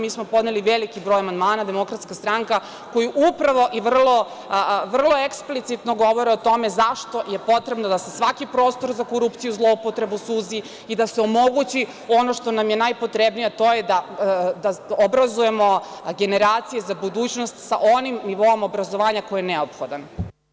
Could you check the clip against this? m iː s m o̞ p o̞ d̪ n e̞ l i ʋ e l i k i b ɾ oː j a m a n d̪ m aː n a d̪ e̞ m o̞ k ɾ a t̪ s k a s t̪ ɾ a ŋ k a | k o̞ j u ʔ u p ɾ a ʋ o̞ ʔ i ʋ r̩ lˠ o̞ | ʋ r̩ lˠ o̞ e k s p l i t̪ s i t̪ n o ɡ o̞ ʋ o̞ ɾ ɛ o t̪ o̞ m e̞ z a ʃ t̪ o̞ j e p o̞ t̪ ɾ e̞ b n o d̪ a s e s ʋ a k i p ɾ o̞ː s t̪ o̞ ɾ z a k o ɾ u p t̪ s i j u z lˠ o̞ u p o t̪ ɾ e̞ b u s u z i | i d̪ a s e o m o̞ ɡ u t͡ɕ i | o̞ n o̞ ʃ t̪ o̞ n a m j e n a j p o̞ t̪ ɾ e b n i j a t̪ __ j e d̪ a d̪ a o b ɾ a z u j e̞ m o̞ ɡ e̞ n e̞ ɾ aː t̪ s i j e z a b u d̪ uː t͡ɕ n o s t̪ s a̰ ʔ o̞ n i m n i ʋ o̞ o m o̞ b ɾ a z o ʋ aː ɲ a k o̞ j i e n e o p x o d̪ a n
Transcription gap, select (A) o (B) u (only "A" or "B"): A